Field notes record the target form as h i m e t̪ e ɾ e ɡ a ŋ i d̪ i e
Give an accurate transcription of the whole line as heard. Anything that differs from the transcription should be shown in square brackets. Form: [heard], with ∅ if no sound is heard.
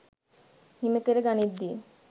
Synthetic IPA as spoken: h i m e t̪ e ɾ e ɡ a [n] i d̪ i e